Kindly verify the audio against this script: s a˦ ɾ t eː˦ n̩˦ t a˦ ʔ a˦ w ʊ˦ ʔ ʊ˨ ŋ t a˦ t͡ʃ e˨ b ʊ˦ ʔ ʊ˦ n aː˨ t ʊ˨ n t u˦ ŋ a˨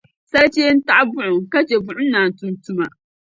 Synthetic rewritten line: s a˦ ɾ t͡ʃ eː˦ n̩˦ t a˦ ʔ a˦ b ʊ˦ ʔ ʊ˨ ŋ k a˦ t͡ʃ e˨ b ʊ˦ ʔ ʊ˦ n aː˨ t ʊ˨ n t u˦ m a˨